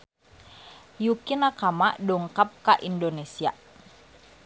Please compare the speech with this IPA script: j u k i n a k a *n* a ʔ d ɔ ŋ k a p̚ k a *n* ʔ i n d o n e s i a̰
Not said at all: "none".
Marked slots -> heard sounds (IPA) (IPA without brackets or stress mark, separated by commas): m, none